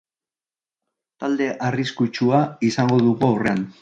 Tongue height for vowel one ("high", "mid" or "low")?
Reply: low